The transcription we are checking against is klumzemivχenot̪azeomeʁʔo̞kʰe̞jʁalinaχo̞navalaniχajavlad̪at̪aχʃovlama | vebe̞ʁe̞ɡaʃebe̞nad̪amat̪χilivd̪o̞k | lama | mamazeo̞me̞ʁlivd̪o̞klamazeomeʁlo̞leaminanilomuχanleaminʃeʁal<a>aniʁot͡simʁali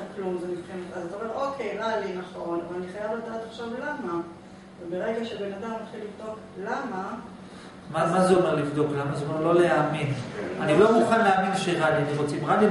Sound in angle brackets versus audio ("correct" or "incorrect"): incorrect